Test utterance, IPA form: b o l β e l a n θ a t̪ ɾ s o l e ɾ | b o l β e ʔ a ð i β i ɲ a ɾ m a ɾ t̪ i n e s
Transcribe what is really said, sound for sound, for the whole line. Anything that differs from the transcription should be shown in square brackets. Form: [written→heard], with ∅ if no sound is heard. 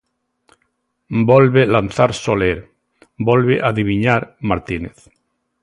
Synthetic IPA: b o l β e l a n θ a [t̪→∅] ɾ s o l e ɾ | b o l β e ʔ a ð i β i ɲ a ɾ m a ɾ t̪ i n e [s→θ]